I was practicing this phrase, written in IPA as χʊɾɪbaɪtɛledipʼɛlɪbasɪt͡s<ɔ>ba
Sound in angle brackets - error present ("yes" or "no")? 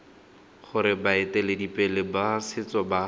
no